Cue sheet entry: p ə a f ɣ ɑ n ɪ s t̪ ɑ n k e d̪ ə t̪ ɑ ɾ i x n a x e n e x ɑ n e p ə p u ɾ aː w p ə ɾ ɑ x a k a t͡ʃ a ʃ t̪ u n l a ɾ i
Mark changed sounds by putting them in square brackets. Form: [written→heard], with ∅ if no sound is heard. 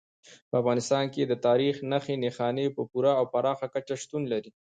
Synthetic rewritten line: p ə a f ɣ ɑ n ɪ s t̪ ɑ n k e d̪ ə t̪ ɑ ɾ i x n a x e n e x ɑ n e p ə p u ɾ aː w p [ə→a] ɾ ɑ x a k a t͡ʃ a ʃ t̪ u n l a ɾ i